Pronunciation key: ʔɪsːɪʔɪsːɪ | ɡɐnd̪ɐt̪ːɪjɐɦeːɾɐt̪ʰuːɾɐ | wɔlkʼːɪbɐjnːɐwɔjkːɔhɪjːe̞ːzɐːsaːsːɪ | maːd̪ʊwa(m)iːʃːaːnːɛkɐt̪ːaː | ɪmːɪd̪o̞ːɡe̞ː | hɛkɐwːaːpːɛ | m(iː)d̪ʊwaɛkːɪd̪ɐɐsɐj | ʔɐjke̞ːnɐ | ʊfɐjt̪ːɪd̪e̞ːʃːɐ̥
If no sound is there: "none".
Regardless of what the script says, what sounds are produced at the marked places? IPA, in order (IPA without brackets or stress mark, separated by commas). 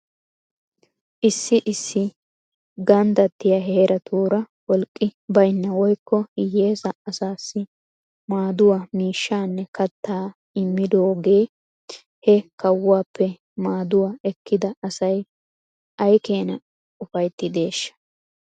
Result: m, aː